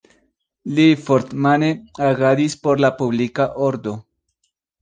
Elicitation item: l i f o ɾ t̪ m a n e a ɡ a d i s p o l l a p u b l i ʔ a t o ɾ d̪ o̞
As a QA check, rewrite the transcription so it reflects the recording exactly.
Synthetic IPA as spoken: l i f o ɾ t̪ m a n e a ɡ a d i s p o ɾ l a p u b l i k a ʔ o ɾ d̪ o̞